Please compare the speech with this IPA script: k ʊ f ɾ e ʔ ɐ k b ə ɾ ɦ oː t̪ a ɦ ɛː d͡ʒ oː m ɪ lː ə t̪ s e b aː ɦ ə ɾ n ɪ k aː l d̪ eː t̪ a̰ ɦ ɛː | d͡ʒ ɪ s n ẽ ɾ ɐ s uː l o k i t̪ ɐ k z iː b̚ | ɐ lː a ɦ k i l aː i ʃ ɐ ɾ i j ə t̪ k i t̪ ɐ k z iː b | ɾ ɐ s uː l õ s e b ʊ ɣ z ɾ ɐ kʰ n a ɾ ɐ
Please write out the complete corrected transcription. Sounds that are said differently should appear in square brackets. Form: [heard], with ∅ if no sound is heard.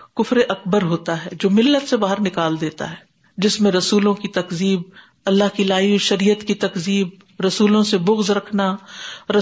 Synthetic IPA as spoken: k ʊ f ɾ e ʔ ɐ k b ə ɾ ɦ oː t̪ a ɦ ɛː d͡ʒ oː m ɪ lː ə t̪ s e b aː ɦ ə ɾ n ɪ k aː l d̪ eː t̪ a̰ ɦ ɛː | d͡ʒ ɪ s [m] ẽ ɾ ɐ s uː l [õ] k i t̪ ɐ k z iː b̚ | ɐ lː a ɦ k i l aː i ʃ ɐ ɾ i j ə t̪ k i t̪ ɐ k z iː b | ɾ ɐ s uː l õ s e b ʊ ɣ z ɾ ɐ kʰ n a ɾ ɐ